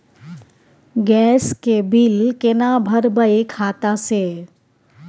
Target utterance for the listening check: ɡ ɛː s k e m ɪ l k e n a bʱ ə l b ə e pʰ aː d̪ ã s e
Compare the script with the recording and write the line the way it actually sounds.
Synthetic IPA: ɡ ɛː s k e b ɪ l k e n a bʱ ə ɾ b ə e kʰ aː t̪ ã s e